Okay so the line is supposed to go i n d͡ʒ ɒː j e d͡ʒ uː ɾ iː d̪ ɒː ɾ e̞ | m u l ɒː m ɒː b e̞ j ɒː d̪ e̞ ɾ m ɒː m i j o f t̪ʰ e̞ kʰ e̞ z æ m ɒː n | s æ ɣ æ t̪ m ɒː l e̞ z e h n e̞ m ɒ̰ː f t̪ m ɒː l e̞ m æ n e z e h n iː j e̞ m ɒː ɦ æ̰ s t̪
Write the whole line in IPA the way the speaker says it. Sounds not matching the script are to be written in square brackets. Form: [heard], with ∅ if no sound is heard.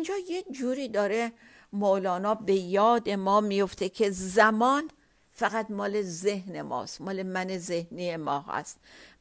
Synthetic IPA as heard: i n d͡ʒ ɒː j e d͡ʒ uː ɾ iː d̪ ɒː ɾ e̞ | m [o] l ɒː [n] ɒː b e̞ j ɒː d̪ e̞ [∅] m ɒː m i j o f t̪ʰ e̞ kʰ e̞ z æ m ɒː n | [f] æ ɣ æ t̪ m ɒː l e̞ z e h n e̞ m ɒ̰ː [s] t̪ m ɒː l e̞ m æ n e z e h n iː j e̞ m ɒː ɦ æ̰ s t̪